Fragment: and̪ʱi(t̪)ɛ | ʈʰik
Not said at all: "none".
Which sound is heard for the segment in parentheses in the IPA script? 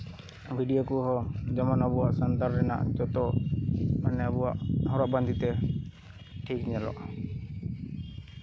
t̪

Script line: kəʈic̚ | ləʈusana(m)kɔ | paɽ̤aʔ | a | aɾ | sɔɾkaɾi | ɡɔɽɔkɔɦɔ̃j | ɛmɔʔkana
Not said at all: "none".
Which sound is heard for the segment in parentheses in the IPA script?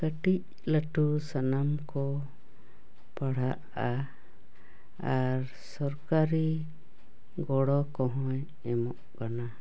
m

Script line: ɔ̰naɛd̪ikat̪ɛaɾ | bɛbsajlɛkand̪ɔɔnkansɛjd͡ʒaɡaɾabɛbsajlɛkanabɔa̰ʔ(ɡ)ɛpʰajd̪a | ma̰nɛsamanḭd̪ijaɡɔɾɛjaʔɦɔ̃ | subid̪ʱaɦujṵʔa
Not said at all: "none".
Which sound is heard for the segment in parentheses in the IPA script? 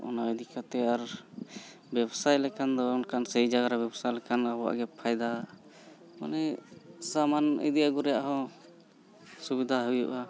ɡ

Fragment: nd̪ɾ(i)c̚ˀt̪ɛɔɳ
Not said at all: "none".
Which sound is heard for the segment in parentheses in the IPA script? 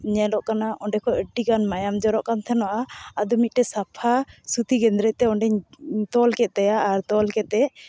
ɛ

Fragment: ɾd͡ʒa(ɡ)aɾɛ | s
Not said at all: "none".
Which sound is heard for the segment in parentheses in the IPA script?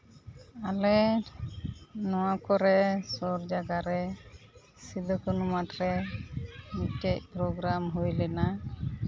ɡ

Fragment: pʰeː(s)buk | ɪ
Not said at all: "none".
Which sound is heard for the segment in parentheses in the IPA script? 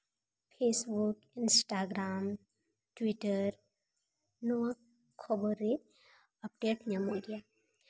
s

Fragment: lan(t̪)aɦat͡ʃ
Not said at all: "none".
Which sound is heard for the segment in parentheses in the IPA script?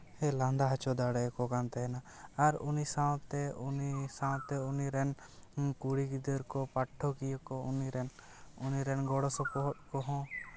d̪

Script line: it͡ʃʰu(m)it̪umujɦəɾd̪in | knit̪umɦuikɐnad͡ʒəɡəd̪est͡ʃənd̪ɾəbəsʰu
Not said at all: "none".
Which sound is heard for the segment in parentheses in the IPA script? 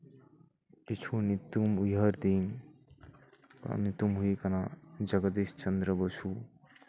n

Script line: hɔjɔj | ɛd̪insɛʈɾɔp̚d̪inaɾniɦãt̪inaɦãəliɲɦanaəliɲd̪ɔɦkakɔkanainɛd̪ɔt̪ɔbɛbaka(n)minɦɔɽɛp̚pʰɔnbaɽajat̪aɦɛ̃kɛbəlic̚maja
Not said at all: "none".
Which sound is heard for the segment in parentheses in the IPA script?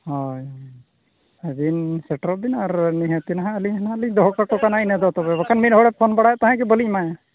n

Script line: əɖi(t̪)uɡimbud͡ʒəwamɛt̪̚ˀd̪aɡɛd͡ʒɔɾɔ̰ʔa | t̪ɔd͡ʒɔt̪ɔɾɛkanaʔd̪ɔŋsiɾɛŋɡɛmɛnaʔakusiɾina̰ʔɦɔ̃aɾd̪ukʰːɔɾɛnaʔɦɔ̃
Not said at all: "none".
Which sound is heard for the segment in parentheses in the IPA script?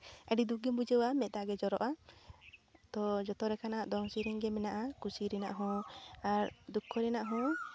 d̪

